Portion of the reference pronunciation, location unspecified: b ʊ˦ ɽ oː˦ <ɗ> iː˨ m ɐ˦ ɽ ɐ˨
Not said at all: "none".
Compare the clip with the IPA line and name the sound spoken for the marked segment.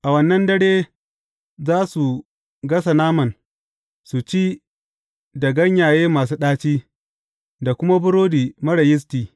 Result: d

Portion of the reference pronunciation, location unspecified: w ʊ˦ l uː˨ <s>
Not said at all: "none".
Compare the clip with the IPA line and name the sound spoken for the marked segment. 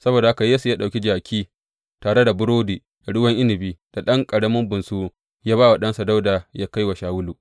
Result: none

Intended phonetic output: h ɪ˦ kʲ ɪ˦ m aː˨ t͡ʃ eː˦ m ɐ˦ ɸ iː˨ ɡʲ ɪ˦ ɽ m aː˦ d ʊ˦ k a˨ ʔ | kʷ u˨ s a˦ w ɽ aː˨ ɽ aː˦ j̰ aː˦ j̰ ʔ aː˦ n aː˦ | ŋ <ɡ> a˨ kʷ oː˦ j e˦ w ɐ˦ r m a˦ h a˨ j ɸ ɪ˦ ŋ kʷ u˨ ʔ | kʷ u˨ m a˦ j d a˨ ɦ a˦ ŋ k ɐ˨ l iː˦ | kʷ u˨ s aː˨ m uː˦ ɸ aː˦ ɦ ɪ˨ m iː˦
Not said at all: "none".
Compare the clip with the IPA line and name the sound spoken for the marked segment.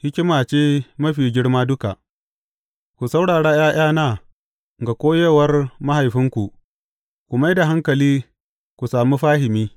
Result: ɡ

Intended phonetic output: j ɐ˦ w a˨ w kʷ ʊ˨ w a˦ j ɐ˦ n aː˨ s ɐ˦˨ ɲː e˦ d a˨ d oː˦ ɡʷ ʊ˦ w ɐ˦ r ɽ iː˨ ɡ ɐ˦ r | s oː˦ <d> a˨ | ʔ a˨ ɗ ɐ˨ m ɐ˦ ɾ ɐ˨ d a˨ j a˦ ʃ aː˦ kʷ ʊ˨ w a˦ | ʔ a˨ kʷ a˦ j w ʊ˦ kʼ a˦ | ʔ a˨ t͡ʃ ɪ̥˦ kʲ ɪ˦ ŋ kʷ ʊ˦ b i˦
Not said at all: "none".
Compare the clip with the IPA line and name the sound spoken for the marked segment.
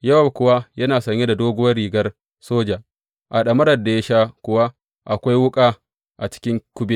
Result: d͡ʒ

